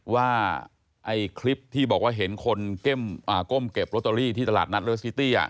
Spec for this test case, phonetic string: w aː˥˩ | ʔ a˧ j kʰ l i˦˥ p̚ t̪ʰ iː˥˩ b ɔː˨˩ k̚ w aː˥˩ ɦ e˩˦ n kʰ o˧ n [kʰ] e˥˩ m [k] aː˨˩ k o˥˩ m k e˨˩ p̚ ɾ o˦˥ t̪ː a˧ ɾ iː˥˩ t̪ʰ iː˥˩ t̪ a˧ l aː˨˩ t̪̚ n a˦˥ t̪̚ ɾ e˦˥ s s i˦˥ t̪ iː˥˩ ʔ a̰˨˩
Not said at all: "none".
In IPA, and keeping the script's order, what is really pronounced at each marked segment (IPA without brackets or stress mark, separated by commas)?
k, ʔ